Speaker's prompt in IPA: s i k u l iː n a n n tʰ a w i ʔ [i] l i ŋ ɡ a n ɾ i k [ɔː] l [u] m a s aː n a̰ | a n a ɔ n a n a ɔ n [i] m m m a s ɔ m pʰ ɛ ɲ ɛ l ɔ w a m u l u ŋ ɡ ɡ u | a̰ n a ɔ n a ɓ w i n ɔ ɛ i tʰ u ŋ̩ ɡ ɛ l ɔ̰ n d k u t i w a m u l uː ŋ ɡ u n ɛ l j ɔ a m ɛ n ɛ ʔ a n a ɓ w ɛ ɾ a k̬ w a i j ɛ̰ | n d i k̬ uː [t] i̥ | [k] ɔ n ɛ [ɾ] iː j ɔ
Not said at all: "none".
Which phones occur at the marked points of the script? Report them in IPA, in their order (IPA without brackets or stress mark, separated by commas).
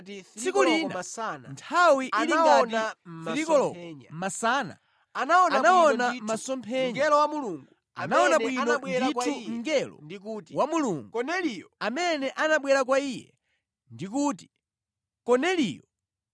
i, ɔ, ɔ, a, t, k, l